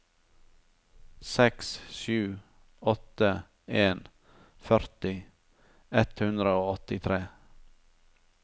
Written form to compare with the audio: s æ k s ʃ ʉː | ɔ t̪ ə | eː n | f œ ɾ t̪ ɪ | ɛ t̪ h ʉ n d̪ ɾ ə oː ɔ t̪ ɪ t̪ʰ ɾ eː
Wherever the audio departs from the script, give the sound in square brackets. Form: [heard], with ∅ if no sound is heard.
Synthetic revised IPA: s [ɛ] k s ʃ ʉː | ɔ t̪ ə | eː n | f œ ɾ t̪ ɪ | ɛ t̪ h ʉ n d̪ ɾ ə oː ɔ t̪ ɪ t̪ʰ ɾ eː

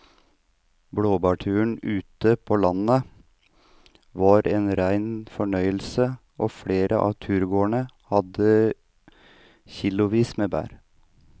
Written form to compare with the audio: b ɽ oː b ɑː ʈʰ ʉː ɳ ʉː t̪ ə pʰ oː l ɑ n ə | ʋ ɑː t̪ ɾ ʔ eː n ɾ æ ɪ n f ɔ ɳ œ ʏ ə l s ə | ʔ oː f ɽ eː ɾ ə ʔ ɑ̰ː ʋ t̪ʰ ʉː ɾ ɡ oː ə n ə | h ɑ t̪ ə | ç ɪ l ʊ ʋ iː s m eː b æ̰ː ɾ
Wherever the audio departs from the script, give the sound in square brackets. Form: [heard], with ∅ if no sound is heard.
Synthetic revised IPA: b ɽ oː b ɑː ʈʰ ʉː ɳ ʉː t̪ ə pʰ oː l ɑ n ə | ʋ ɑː [∅] ɾ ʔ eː n ɾ æ ɪ n f ɔ ɳ œ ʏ ə l s ə | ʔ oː f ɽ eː ɾ ə ʔ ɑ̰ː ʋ t̪ʰ ʉː ɾ ɡ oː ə [ɳ] ə | h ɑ [d̪] ə | ç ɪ l ʊ ʋ iː s m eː b æ̰ː ɾ

